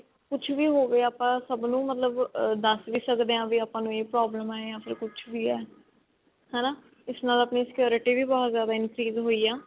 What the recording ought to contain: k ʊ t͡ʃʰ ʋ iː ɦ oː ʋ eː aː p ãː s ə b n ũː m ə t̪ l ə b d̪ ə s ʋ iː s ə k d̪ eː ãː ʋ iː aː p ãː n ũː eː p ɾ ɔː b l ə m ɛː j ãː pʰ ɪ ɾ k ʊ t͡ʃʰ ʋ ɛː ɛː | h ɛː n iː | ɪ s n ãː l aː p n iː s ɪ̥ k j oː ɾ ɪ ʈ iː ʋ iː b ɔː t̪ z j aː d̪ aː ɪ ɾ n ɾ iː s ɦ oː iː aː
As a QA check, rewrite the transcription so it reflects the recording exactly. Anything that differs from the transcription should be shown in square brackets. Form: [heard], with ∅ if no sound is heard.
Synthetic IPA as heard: k ʊ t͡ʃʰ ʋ iː ɦ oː ʋ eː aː p ãː s ə b n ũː m ə t̪ l ə b d̪ ə s ʋ iː s ə k d̪ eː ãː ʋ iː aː p ãː n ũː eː p ɾ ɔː b l ə m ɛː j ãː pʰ ɪ ɾ k ʊ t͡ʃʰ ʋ [iː] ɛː | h ɛː n [aː] | ɪ s n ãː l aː p n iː s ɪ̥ k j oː ɾ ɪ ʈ iː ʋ iː b ɔː t̪ z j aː d̪ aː ɪ [∅] n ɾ iː [z] ɦ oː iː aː